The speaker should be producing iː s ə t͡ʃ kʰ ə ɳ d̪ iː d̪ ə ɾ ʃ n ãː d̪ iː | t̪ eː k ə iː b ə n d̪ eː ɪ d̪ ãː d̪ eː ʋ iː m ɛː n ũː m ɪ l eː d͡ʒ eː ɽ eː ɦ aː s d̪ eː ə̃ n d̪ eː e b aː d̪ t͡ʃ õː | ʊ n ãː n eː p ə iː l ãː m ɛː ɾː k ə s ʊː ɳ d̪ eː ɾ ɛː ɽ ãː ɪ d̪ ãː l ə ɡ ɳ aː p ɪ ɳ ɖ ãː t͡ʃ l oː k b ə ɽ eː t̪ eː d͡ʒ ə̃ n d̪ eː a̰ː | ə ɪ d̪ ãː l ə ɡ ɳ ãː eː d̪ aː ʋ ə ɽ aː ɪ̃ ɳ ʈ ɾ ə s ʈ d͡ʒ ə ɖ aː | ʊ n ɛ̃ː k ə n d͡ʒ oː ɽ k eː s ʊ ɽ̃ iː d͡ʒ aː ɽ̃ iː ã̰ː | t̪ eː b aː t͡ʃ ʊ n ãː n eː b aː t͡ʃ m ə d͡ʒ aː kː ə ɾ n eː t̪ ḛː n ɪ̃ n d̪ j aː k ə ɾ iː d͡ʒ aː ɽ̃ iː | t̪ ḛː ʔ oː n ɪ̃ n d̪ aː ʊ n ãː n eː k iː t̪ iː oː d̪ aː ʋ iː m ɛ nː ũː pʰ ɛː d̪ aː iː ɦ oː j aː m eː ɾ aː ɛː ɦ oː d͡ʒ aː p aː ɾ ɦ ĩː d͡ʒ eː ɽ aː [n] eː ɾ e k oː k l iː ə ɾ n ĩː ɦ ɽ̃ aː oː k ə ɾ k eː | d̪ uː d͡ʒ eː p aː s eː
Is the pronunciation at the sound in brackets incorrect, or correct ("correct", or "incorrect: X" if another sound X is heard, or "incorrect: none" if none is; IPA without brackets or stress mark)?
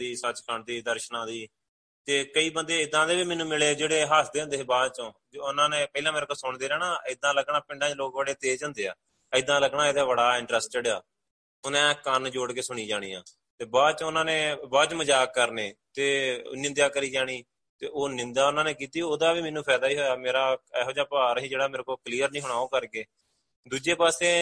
incorrect: m